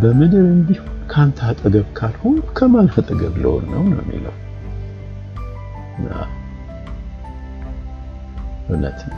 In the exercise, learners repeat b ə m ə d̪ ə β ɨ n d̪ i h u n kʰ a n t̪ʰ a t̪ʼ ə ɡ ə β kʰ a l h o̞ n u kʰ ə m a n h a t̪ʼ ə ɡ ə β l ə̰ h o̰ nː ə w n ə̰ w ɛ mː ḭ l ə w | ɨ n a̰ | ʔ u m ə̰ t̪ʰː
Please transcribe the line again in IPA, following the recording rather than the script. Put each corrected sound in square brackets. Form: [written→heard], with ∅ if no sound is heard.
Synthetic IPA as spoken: b ə m ə d̪ ə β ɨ n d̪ i h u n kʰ a n t̪ʰ a t̪ʼ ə ɡ ə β kʰ a l h o̞ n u kʰ ə m a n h a t̪ʼ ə ɡ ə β l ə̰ h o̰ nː ə w n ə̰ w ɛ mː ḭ l ə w | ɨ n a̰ | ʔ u [m→n] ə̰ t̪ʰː